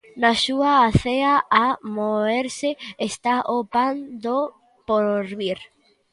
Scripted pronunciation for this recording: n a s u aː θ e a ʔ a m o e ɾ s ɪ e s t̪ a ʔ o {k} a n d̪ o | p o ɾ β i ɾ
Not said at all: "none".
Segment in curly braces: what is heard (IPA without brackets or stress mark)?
p